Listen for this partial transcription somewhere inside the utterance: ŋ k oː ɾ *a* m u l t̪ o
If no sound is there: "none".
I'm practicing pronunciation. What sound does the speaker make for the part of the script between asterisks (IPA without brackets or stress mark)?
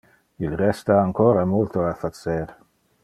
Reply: a